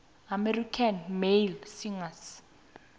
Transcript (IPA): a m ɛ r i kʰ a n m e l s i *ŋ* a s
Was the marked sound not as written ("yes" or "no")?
no